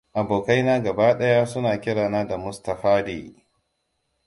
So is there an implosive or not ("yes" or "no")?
yes